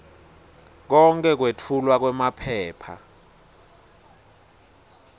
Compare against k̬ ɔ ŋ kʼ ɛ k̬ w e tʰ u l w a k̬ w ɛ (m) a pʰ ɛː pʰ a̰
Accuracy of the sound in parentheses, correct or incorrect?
correct